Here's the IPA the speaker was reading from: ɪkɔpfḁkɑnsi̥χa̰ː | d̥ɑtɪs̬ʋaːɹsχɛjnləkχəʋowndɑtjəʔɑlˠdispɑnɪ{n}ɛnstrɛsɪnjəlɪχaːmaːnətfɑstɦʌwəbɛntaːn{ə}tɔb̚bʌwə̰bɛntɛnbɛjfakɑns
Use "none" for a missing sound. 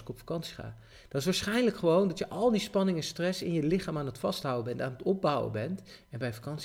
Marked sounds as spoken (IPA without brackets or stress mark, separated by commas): ŋ, ə